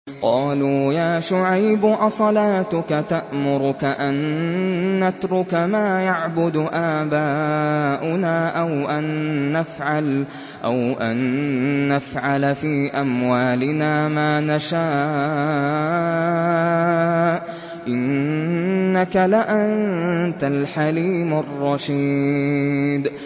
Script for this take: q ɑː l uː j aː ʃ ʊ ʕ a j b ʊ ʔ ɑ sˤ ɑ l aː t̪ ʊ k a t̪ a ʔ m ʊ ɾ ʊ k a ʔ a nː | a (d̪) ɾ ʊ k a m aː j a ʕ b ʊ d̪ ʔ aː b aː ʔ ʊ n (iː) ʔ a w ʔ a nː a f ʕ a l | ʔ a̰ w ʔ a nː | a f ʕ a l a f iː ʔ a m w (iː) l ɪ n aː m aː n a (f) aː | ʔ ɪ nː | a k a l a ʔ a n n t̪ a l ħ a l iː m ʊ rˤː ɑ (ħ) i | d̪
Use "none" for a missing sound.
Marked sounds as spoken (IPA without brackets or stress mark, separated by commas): t̪, aː, aː, ʃ, ʃ